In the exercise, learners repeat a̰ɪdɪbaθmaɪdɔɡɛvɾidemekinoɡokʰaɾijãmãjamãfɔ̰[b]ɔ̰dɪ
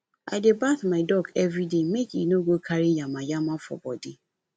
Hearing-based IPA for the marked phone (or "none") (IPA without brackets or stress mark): b